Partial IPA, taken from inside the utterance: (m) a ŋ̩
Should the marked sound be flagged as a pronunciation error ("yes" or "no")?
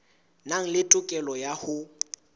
yes